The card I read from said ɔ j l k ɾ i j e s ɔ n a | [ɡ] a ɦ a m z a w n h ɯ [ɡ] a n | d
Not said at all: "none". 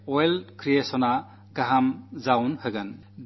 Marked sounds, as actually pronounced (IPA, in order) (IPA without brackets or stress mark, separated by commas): ɡ, ɡ